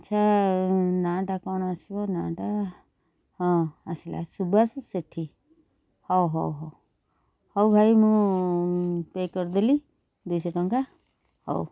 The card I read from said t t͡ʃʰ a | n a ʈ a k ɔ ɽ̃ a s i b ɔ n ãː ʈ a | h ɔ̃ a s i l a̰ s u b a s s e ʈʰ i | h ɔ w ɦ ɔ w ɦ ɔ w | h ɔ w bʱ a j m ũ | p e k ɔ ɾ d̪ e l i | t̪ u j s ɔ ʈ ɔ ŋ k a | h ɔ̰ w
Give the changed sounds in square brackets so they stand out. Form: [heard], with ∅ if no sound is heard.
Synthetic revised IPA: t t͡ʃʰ a | n a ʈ a k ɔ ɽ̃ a s i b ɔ n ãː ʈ a | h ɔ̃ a s i l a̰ s u b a s s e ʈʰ i | h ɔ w ɦ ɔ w ɦ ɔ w | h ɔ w bʱ a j m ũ | p e k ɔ ɾ d̪ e l i | [d̪] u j s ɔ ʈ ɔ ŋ k a | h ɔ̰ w